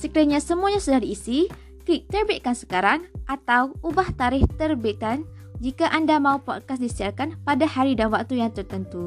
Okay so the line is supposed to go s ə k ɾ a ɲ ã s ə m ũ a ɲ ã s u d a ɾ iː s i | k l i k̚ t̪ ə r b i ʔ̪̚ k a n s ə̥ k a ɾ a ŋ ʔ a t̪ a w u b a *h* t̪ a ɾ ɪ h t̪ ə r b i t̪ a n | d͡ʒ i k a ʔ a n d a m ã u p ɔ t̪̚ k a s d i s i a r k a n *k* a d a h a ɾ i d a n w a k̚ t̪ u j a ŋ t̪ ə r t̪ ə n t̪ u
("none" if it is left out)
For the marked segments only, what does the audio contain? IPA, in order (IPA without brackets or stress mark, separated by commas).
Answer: h, p